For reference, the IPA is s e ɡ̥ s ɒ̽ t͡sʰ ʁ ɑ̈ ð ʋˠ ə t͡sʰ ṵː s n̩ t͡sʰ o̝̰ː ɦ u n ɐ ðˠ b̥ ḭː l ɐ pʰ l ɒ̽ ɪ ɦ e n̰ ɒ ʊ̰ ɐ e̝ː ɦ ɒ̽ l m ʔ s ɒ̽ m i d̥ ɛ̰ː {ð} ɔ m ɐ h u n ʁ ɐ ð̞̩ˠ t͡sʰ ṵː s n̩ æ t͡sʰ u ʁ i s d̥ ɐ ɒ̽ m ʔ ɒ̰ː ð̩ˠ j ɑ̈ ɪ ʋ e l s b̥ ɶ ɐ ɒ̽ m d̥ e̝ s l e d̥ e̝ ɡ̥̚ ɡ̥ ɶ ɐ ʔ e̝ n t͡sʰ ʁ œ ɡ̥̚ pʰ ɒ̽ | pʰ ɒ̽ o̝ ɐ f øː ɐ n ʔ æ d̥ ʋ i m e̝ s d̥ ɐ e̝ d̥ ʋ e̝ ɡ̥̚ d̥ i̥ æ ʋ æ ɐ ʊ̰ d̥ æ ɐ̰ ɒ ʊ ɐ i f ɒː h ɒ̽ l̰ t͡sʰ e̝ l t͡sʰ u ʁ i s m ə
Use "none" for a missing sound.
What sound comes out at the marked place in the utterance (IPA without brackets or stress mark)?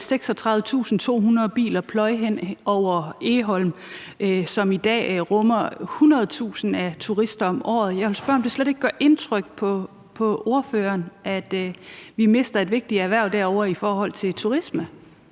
ʁ